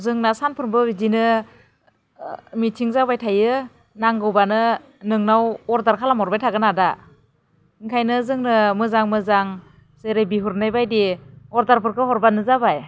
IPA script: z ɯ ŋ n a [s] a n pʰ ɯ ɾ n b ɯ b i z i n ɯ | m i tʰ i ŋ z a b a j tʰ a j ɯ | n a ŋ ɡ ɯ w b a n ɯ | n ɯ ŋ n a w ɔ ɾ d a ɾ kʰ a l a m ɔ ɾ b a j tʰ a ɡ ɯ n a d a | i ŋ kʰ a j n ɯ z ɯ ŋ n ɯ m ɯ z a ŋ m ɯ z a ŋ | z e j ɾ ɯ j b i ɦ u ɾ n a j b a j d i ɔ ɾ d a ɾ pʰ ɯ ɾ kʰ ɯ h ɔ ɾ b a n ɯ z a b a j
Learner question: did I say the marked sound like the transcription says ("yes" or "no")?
yes